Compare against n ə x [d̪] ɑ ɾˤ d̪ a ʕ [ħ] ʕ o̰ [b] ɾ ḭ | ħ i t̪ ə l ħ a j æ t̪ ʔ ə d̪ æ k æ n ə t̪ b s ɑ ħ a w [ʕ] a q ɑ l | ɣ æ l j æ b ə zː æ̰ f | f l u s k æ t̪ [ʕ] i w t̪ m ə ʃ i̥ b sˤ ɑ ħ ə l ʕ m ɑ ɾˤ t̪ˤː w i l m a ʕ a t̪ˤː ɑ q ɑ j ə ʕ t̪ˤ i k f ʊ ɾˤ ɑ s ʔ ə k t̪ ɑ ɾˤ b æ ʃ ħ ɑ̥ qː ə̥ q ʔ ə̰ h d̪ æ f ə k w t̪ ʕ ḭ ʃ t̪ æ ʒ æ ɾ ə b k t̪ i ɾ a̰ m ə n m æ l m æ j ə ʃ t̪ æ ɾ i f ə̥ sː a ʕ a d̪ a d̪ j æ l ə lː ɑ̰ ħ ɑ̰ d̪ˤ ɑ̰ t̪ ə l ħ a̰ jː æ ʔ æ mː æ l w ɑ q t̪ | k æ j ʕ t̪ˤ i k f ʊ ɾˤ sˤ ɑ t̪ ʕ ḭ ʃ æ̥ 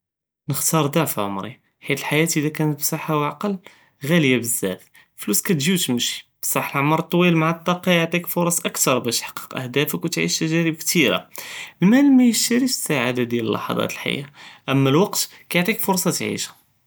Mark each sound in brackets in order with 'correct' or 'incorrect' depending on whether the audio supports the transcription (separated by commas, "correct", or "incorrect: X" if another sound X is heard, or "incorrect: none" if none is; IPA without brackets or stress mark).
incorrect: t̪, incorrect: f, incorrect: m, correct, incorrect: ʒ